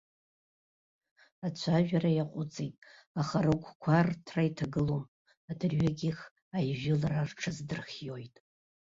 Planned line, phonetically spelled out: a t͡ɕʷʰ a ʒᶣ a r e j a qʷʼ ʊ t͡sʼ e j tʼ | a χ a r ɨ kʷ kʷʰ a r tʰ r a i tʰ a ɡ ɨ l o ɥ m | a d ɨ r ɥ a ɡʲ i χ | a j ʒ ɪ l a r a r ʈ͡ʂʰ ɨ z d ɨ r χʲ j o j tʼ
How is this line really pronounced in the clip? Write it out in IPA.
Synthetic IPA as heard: a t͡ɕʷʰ a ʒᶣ a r a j a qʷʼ ʊ t͡sʼ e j tʼ | a χ a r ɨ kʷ kʷʰ a r tʰ r a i tʰ a ɡ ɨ l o m | a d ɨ r ɥ a ɡʲ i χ | a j ʒ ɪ l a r a r ʈ͡ʂʰ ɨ z d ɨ r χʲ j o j tʼ